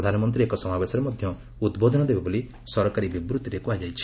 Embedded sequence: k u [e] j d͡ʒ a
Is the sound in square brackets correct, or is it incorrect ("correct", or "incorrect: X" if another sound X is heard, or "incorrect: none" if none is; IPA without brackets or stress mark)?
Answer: incorrect: a